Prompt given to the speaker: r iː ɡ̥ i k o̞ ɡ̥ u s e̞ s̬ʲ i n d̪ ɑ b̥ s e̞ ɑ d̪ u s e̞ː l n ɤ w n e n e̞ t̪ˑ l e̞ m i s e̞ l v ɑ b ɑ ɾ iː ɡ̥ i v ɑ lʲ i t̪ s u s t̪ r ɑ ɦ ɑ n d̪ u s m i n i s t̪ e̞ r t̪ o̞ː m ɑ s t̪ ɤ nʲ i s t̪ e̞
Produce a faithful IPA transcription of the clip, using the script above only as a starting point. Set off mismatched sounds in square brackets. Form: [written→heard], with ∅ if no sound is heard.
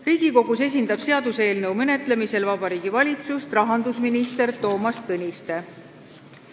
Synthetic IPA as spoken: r iː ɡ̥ i k o̞ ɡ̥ u s e̞ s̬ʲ i n d̪ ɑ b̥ s e̞ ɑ d̪ u s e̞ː l n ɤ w [n→m] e n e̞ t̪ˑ l e̞ m i s e̞ l v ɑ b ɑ ɾ iː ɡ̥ i v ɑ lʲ i t̪ s u s t̪ r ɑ ɦ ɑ n d̪ u s m i n i s t̪ e̞ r t̪ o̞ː m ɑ s t̪ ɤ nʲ i s t̪ e̞